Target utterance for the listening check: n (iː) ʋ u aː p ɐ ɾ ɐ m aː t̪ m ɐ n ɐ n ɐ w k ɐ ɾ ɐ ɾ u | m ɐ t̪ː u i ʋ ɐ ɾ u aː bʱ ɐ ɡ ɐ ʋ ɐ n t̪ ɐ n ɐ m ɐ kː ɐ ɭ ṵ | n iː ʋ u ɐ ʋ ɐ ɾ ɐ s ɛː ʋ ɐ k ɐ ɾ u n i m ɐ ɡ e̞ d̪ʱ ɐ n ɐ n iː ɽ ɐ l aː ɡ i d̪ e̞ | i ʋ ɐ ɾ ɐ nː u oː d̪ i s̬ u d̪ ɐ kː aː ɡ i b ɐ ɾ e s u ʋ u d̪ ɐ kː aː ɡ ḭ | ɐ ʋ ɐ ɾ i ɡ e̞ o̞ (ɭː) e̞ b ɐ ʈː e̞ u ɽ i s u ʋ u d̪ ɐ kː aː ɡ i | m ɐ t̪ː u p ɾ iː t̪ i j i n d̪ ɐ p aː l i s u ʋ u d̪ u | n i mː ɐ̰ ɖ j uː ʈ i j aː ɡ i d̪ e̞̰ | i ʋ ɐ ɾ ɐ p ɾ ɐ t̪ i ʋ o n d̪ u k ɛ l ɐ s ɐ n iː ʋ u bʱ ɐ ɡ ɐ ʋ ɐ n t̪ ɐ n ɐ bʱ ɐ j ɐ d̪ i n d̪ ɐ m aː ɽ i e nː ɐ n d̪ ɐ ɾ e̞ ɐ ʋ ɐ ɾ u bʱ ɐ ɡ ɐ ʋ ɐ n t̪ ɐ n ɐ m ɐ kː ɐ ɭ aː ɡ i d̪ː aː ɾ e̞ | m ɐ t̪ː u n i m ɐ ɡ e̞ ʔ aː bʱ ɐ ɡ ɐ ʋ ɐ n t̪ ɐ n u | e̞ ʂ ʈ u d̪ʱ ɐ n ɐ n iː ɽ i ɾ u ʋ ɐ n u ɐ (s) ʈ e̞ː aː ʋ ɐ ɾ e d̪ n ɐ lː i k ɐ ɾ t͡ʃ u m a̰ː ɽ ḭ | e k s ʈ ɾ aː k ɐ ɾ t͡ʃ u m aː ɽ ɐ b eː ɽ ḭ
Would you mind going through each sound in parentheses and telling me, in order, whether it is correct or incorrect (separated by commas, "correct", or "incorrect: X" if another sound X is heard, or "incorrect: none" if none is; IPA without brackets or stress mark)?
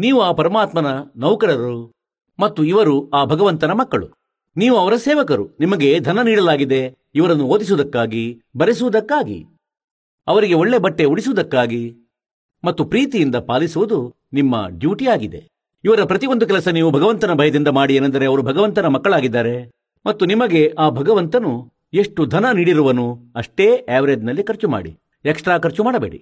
correct, correct, incorrect: ʂ